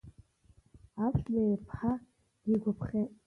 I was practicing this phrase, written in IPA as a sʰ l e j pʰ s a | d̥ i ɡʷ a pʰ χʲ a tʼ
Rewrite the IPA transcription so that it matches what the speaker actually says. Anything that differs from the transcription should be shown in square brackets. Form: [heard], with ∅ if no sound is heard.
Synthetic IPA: a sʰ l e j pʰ [ħ] a | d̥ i ɡʷ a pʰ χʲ [e] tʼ

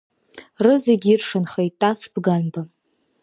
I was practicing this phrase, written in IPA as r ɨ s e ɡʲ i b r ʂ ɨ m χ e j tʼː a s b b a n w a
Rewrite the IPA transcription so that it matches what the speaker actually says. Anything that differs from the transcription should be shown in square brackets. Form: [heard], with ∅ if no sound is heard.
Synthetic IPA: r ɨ [z] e ɡʲ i [∅] r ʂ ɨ [n] χ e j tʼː a s b [ɡ] a n [b] a

